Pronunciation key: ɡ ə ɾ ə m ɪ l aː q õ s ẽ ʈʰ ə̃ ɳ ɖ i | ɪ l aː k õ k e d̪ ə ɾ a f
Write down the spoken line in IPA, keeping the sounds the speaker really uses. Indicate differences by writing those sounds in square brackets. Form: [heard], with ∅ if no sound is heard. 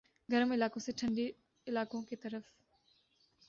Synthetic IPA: ɡ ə ɾ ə m ɪ l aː [k] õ s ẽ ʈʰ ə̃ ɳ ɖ i | ɪ l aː k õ k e [t̪] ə ɾ [ə] f